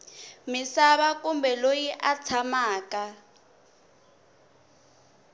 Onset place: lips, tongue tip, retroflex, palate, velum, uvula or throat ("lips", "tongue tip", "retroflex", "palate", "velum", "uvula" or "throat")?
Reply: lips